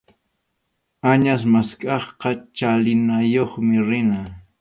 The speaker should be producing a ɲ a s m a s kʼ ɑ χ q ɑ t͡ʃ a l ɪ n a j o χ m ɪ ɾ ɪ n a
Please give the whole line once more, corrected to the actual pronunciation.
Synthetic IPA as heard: a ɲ a s m a s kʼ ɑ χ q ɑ t͡ʃ a l ɪ n a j o χ m ɪ ɾ ɪ n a